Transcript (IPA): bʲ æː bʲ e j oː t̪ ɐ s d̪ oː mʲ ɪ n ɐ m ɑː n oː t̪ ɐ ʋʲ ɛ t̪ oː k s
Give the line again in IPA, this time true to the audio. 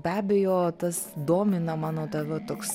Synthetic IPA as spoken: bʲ æː bʲ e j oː t̪ ɐ s d̪ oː mʲ ɪ n ɐ m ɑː n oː t̪ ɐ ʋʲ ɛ t̪ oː k s